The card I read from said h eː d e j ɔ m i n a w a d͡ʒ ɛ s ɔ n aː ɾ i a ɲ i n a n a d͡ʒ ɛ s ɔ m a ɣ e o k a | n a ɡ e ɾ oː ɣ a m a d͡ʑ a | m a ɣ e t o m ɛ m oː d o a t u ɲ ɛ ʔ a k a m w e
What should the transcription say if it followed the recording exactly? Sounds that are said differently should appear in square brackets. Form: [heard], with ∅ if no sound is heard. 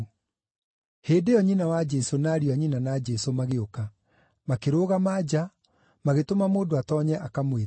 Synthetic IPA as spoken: h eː d e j ɔ [ɲ] i n a w a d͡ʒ ɛ s [o] n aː ɾ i a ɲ i n a n a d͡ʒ ɛ s [o] m a ɣ e o k a | [m] a [k] e ɾ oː ɣ a m a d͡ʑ a | m a ɣ e t o m [a] m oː d o a t [ɔ] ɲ ɛ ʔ a k a m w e